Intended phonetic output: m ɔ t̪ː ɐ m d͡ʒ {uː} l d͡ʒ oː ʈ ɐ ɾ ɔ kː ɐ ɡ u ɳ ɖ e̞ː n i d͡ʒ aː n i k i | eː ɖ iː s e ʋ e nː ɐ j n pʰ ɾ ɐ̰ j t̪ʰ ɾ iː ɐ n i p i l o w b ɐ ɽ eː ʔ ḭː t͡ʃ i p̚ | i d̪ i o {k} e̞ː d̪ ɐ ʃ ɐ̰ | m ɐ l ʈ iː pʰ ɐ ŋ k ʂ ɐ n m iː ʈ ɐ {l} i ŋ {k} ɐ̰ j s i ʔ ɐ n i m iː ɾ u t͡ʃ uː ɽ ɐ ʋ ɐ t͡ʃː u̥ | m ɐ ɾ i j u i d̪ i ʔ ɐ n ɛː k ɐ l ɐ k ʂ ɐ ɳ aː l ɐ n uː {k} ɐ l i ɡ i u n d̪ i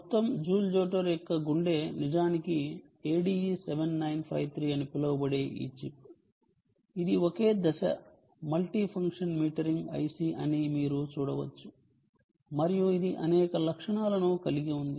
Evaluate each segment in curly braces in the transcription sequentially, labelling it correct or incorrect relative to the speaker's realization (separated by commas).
correct, correct, incorrect, incorrect, correct